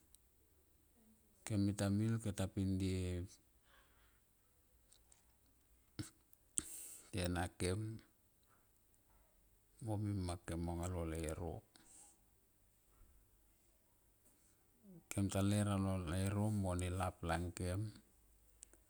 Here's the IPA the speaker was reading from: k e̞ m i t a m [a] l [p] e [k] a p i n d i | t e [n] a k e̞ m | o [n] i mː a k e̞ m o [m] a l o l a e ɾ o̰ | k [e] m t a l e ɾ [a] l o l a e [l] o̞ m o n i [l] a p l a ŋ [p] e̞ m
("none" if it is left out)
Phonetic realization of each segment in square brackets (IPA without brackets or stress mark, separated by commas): i, k, t, n, m, ŋ, e, a, ɾ, l, k